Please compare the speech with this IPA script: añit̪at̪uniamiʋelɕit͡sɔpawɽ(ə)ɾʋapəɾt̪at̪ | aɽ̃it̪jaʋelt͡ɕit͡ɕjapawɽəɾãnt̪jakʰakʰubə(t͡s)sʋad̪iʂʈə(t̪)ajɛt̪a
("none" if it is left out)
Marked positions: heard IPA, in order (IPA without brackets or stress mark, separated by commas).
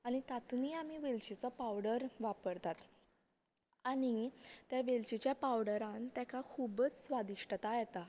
ə, t͡s, t̪